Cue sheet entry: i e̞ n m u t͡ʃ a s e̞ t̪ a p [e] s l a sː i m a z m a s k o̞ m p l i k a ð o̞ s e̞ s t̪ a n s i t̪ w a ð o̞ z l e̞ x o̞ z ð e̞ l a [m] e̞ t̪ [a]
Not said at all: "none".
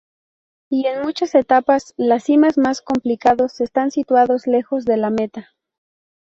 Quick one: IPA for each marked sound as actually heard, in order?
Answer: a, m, a

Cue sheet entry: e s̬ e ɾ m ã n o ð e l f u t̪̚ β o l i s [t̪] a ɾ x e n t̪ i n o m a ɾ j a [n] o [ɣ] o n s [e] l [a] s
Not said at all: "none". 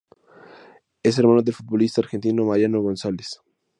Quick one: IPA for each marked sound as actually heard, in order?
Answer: t̪, n, ɣ, a, e

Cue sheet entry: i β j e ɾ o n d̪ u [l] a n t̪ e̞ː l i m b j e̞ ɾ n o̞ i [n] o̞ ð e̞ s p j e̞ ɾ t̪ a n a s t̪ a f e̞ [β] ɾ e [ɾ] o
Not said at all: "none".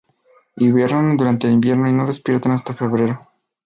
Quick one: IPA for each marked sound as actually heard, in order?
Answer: ɾ, n, β, ɾ

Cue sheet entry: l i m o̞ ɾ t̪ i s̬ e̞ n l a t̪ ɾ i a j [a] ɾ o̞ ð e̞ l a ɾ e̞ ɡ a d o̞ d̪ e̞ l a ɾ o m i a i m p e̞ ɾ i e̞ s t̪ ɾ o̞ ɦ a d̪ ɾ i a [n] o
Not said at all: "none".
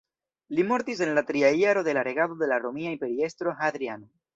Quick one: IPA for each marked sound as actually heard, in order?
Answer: a, n

